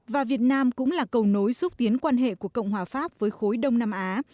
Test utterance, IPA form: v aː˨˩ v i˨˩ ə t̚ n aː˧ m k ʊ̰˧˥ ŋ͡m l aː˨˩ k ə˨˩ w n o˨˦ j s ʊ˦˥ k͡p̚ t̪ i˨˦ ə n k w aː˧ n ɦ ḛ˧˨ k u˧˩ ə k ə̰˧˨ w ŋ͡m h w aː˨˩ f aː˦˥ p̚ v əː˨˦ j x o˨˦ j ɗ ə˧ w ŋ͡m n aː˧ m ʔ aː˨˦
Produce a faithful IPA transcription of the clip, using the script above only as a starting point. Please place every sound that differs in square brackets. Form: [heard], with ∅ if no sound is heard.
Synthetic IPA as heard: v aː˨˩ v i˨˩ ə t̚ n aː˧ m k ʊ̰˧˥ ŋ͡m l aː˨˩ k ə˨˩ w n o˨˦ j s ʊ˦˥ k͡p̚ t̪ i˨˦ ə n k w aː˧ n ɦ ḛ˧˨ k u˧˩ ə k ə̰˧˨ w ŋ͡m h w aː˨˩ f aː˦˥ p̚ v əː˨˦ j x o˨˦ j ɗ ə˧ w ŋ͡m n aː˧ m ʔ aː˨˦